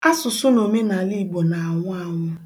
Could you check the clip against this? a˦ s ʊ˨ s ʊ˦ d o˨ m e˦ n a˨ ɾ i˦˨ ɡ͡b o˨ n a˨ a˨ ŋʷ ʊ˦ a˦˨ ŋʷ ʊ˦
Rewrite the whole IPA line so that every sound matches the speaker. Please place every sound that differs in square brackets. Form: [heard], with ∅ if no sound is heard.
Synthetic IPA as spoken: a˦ s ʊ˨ s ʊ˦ [n] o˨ m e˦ n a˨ [l] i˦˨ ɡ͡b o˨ n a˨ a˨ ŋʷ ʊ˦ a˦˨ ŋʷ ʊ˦